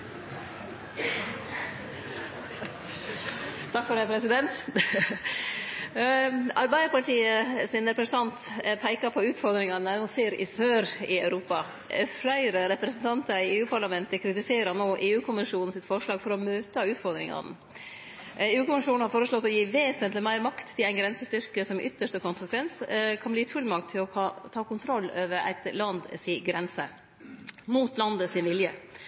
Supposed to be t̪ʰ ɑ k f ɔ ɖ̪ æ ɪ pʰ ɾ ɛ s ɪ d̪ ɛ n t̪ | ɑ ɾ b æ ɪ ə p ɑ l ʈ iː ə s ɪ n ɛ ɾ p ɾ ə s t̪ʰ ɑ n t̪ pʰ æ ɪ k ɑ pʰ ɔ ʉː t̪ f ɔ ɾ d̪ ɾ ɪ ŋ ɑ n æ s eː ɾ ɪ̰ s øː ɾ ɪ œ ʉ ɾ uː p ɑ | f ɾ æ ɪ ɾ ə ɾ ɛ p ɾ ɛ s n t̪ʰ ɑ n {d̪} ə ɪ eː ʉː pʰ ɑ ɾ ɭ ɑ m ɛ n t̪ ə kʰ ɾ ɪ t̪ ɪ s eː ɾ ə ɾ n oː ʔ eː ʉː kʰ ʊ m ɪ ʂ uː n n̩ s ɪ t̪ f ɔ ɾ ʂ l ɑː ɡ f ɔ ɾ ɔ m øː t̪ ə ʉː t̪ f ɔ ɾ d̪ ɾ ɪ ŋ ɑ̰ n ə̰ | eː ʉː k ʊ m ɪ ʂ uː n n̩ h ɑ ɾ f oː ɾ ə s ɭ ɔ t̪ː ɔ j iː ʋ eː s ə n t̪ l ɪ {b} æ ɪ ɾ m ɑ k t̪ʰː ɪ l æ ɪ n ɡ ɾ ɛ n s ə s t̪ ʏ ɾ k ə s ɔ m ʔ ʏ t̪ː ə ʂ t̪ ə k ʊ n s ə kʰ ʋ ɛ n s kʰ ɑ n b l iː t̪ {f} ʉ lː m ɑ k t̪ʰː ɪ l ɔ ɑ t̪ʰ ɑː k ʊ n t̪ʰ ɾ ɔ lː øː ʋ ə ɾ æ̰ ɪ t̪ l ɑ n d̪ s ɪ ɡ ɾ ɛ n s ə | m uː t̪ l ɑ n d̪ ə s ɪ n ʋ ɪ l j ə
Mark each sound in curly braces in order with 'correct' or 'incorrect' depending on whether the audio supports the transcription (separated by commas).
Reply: incorrect, incorrect, correct